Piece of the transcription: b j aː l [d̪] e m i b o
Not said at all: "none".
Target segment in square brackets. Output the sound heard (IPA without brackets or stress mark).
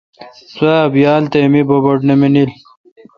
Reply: t̪